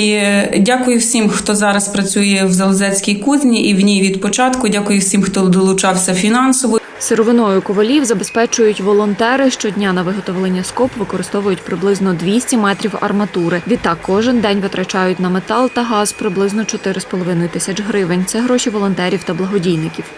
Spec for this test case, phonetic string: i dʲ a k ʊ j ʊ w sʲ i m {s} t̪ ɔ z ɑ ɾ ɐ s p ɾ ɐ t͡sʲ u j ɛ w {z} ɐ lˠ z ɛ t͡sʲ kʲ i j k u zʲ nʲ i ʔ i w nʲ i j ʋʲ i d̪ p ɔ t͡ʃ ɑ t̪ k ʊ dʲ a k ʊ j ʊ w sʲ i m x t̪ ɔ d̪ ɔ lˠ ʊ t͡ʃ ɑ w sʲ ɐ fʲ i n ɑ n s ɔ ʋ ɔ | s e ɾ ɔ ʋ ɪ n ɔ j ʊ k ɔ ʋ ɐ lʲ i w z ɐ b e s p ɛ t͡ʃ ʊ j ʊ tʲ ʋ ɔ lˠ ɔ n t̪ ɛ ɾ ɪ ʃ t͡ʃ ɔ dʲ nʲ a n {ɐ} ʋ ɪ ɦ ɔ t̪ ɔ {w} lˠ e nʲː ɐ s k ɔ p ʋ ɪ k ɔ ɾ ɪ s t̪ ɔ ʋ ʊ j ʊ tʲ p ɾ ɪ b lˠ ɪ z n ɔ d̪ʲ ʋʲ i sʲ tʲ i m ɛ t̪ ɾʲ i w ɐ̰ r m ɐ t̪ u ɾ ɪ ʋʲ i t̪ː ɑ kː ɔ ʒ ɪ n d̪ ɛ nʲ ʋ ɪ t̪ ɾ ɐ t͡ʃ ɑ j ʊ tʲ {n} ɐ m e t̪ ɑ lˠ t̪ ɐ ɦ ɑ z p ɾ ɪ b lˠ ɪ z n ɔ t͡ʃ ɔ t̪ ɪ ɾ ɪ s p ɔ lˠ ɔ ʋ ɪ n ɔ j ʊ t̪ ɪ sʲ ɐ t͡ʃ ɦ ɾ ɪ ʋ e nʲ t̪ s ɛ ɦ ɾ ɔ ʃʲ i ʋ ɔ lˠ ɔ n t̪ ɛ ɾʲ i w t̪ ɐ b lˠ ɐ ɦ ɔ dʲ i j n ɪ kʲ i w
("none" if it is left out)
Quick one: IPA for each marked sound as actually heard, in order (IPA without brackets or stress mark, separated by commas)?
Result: x, z, ɐ, ʋ, n